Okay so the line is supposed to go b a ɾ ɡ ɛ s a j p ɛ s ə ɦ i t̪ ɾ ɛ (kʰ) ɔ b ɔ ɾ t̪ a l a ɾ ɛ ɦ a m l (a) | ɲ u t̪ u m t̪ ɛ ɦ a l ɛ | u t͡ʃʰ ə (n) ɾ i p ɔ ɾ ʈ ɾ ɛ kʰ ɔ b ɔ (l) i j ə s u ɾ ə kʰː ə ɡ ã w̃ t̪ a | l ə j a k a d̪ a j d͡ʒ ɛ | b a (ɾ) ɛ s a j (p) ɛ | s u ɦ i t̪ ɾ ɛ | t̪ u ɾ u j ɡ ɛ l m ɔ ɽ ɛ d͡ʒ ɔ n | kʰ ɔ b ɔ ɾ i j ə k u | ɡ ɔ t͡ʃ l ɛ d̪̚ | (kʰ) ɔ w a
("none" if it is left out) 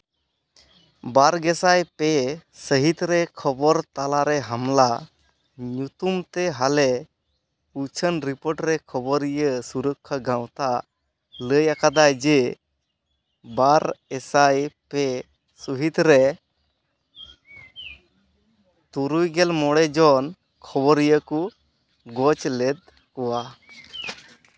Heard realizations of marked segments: kʰ, a, n, ɾ, ɾ, p, k

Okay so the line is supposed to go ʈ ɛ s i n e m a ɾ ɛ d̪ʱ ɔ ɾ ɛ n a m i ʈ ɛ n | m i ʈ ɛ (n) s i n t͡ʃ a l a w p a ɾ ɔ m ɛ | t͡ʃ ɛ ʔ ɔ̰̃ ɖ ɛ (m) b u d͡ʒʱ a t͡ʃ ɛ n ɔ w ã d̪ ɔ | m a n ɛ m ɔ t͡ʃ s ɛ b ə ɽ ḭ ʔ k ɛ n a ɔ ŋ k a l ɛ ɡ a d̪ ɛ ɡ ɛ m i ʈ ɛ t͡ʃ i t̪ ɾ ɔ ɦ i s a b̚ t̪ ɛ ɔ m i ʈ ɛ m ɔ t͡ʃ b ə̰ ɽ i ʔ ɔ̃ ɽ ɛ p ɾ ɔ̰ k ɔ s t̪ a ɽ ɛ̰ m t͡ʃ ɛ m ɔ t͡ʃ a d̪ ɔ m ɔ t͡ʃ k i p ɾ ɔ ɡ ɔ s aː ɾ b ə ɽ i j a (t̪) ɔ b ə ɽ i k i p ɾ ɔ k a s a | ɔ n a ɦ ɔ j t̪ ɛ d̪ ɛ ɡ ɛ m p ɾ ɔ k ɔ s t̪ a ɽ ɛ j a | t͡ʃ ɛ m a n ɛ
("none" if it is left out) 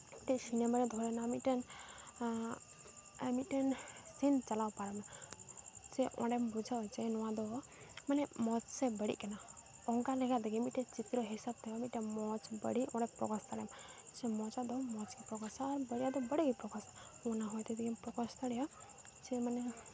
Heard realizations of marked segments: n, m, d̪

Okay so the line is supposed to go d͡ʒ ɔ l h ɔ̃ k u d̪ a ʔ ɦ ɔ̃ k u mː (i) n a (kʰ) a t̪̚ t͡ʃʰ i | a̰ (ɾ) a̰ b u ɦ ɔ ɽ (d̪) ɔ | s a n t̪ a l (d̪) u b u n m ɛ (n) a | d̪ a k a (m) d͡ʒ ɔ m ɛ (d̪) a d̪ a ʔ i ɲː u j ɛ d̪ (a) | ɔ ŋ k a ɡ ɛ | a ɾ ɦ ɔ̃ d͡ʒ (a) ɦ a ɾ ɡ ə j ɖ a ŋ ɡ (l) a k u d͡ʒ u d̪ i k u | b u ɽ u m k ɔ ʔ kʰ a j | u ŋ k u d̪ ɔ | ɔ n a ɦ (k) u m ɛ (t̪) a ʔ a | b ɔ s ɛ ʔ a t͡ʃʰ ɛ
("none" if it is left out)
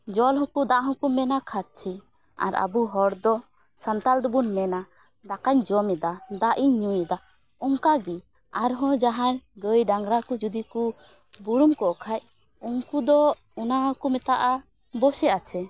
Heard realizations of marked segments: ɛ, kʰ, ɾ, d̪, d̪, n, ɲ, d̪, a, a, ɾ, k, t̪

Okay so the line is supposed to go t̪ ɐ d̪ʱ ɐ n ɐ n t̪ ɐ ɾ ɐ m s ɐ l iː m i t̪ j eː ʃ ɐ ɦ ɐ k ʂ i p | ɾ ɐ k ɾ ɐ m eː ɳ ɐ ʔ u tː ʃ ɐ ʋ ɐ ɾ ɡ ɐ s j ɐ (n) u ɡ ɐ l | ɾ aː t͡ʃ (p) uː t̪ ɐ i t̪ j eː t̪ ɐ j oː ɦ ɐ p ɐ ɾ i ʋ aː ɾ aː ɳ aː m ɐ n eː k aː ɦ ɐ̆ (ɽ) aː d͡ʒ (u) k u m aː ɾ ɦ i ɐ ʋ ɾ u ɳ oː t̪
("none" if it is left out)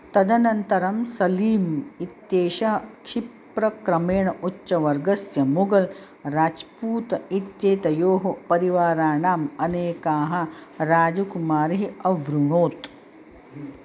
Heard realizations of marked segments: m, p, ɾ, u

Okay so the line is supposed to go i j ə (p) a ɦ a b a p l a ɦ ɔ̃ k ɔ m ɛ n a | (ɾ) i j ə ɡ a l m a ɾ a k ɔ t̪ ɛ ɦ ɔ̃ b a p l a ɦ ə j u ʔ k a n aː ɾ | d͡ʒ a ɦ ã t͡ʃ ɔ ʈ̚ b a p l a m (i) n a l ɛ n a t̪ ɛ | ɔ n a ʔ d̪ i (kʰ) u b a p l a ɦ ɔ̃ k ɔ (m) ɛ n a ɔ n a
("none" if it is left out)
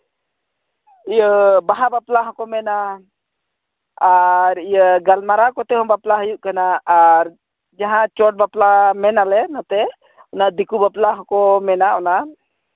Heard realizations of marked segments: b, ɾ, ɛ, k, m

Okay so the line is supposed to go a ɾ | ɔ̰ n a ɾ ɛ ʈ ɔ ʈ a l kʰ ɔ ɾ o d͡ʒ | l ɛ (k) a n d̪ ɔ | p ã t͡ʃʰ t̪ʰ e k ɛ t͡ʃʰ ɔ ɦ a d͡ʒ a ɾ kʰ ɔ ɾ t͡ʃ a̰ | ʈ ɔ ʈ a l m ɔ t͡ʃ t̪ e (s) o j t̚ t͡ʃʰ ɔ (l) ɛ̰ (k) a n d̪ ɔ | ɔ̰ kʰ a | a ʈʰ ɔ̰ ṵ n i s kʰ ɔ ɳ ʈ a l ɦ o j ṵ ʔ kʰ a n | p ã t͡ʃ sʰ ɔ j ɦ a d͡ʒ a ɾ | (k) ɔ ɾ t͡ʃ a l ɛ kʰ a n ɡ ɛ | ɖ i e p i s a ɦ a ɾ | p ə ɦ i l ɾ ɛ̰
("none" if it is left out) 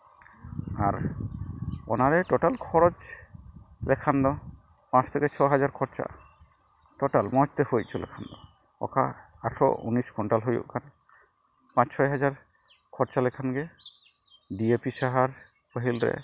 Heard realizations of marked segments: kʰ, h, l, kʰ, kʰ

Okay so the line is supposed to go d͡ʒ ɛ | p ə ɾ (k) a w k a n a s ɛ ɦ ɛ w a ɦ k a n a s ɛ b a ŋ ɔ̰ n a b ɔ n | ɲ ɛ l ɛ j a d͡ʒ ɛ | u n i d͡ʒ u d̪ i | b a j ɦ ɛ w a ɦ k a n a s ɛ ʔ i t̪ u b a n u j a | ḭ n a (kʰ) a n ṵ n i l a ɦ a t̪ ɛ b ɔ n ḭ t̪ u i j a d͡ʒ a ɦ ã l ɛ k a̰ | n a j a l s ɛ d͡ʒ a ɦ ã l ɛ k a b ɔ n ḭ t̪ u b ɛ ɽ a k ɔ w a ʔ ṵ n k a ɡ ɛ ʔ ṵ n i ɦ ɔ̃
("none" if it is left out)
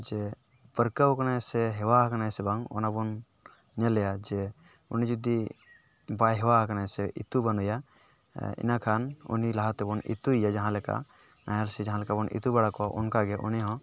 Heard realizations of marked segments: k, kʰ

